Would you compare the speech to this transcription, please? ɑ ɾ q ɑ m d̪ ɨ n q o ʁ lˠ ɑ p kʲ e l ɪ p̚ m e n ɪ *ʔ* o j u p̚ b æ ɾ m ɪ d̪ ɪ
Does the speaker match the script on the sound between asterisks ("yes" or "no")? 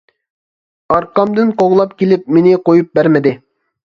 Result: no